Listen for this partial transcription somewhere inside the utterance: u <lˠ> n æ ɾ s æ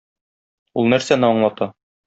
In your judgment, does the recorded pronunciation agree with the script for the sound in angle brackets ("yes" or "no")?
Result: yes